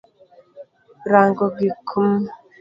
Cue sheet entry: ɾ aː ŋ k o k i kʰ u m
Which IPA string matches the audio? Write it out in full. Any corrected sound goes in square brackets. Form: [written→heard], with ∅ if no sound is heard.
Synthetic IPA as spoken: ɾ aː ŋ [k→ɡ] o [k→ɡ] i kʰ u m